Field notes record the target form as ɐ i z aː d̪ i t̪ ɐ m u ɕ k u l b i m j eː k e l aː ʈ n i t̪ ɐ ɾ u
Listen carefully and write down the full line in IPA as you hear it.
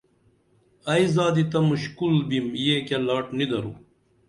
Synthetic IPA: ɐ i z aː d̪ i t̪ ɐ m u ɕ k u l b i m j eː k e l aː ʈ n i d̪ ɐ ɾ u